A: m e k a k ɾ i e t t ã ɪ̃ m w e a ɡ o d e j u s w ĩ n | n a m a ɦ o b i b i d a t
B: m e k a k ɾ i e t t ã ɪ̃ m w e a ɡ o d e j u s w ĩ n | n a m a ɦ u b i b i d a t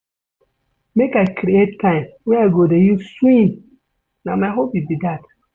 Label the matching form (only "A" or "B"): A